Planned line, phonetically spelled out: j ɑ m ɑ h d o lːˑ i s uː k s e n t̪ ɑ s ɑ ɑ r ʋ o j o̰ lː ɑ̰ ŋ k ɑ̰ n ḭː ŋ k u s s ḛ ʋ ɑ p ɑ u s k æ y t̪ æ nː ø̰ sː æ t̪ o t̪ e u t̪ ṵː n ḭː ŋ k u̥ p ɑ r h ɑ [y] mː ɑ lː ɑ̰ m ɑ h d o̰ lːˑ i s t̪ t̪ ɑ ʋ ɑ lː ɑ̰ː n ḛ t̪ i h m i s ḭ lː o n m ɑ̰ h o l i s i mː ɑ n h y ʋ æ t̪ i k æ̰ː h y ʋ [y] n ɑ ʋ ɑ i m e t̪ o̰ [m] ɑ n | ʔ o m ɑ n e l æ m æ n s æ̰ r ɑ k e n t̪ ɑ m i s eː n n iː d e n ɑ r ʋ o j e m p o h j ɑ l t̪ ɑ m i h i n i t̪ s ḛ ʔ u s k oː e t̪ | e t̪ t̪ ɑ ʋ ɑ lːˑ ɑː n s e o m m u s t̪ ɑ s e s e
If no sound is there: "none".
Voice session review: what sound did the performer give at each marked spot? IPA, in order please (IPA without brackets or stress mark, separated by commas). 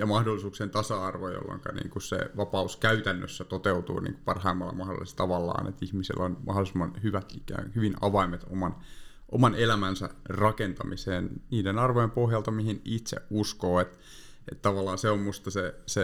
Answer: i, i, m